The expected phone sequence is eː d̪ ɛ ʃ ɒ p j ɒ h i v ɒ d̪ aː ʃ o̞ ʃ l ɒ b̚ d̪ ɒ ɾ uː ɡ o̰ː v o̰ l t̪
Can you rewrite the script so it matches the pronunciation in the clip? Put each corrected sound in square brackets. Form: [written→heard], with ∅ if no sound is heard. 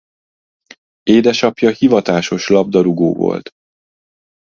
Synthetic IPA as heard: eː d̪ ɛ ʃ ɒ p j ɒ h i v ɒ [d̪→t̪] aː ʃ o̞ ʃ l ɒ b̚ d̪ ɒ ɾ [uː→u] ɡ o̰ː v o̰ l t̪

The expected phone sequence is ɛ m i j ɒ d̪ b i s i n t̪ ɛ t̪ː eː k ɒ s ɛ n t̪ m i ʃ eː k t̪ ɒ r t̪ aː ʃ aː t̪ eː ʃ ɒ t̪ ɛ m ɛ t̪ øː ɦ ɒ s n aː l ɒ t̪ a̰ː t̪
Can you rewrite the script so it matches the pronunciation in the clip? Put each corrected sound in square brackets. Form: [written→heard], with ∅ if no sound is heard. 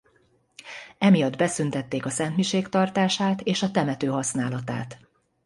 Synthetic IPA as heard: ɛ m i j ɒ d̪ b [i→ɛ] s [i→y] n t̪ ɛ t̪ː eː k ɒ s ɛ n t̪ m i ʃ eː k t̪ ɒ r t̪ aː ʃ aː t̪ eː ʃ ɒ t̪ ɛ m ɛ t̪ øː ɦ ɒ s n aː l ɒ t̪ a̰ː t̪

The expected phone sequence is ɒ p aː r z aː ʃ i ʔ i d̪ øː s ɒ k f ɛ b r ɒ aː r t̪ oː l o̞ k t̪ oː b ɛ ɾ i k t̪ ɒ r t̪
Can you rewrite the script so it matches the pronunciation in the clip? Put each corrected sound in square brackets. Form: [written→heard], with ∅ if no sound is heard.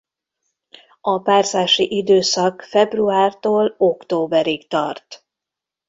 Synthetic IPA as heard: ɒ p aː r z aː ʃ i ʔ i d̪ øː s ɒ k f ɛ b r [ɒ→u] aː r t̪ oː l o̞ k t̪ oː b ɛ ɾ i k t̪ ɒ r t̪

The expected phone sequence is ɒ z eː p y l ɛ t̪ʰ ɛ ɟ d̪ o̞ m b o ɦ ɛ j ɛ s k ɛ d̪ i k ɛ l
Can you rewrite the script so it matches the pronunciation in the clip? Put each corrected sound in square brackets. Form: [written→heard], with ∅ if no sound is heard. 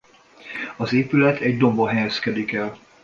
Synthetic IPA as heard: ɒ z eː p y l ɛ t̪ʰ ɛ ɟ d̪ o̞ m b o ɦ ɛ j ɛ s k ɛ d̪ i k ɛ l

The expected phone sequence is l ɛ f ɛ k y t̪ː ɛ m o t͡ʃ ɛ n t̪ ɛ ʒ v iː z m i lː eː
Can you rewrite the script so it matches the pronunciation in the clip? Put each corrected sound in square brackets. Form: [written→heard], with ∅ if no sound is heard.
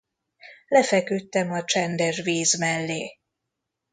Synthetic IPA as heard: l ɛ f ɛ k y t̪ː ɛ m [o→ɒ] t͡ʃ ɛ n [t̪→d̪] ɛ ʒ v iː z m [i→ɛ] lː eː

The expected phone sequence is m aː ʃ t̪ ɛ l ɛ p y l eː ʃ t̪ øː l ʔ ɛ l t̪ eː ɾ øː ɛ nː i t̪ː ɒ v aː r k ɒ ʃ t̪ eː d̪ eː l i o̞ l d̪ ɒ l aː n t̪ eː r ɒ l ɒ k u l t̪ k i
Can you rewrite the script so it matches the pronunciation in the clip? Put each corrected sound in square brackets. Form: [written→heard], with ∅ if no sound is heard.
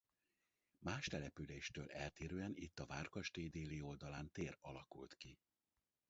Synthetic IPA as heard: m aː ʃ t̪ ɛ l ɛ p y l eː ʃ t̪ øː l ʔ ɛ l t̪ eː ɾ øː ɛ [nː→n] i t̪ː ɒ v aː r k ɒ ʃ t̪ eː d̪ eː l i o̞ l d̪ ɒ l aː n t̪ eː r ɒ l ɒ k u l t̪ k i

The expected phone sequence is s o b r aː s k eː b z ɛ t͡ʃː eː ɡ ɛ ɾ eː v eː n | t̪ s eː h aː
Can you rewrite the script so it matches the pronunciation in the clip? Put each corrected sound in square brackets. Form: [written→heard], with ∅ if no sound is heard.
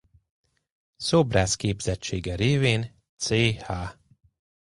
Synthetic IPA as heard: s o b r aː s k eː b z ɛ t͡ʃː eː ɡ ɛ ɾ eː v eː n | t̪ s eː h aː

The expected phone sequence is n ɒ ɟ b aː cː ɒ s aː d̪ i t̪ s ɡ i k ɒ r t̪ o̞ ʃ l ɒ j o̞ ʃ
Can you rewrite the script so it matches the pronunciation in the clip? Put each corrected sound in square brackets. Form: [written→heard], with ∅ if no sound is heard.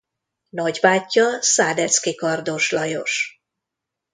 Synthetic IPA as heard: n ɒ ɟ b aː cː ɒ s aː d̪ [i→ɛ] t̪ s [ɡ→k] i k ɒ r [t̪→d̪] o̞ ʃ l ɒ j o̞ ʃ

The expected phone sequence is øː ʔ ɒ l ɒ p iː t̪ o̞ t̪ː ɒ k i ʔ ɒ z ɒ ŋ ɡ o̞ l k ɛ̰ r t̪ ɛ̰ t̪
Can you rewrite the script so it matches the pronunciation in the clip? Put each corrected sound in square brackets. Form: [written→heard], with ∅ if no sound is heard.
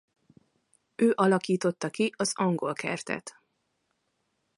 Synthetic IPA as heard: øː ʔ ɒ l ɒ [p→k] iː t̪ o̞ t̪ː ɒ k i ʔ ɒ z ɒ ŋ ɡ o̞ l k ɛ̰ r t̪ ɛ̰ t̪

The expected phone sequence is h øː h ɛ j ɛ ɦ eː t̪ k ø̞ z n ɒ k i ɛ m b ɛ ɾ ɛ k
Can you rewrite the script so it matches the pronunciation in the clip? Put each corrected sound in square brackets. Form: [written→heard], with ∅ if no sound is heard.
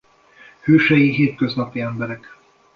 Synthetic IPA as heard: h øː [h→ʃ] ɛ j [ɛ→i] ɦ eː t̪ k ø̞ z n ɒ [k→p] i ɛ m b ɛ ɾ ɛ k

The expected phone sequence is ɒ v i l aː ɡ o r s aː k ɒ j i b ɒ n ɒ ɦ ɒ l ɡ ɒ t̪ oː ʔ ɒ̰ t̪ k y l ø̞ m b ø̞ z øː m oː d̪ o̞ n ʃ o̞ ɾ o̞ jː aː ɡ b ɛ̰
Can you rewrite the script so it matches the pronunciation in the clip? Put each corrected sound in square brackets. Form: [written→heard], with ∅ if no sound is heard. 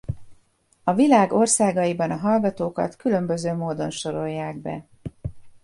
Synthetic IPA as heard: ɒ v i l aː ɡ o r s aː [k→ɡ] ɒ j i b ɒ n ɒ ɦ ɒ l ɡ ɒ t̪ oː [ʔ→k] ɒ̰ t̪ k y l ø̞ m b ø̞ z øː m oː d̪ o̞ n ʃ o̞ ɾ o̞ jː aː ɡ b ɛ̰

